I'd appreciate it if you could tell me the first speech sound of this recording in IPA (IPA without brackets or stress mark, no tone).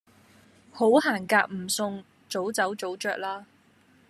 h